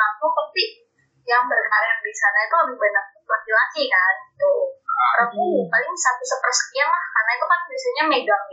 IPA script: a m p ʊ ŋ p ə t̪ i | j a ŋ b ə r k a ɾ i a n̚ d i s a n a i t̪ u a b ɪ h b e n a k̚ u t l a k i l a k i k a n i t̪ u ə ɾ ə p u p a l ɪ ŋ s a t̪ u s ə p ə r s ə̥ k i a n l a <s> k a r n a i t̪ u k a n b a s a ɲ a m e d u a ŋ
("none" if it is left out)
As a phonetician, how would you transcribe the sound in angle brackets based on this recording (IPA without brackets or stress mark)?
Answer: h